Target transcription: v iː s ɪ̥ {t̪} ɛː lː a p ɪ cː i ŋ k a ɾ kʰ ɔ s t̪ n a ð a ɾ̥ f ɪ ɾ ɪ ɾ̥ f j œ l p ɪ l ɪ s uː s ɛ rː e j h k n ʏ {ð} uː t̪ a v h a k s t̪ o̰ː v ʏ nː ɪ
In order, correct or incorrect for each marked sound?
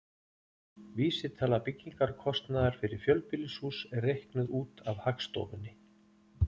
incorrect: t̪ʰ, correct

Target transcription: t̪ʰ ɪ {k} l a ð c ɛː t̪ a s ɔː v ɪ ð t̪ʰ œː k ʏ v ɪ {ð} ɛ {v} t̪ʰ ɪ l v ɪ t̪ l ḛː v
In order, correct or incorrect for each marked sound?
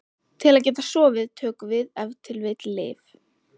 incorrect: none, correct, correct

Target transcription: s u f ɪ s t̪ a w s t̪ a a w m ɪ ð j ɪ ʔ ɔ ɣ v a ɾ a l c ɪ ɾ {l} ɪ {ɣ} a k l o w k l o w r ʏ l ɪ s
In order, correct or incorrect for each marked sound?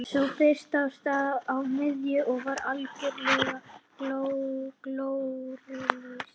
correct, correct

